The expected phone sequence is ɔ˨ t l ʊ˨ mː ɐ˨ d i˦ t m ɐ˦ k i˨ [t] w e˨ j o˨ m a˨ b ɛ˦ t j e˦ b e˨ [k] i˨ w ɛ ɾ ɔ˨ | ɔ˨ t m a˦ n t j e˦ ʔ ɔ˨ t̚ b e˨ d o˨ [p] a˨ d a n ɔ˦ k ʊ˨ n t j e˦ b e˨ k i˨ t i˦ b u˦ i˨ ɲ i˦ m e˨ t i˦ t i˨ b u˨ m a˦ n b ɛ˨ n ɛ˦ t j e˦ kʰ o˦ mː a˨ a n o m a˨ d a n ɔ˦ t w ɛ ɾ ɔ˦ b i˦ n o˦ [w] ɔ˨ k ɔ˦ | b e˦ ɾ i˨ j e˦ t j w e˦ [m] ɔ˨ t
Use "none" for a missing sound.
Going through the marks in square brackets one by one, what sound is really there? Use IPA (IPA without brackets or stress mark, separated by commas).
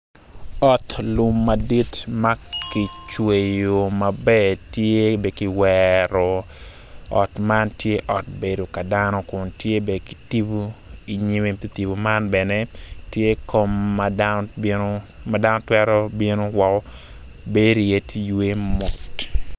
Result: t͡ʃ, k, k, w, m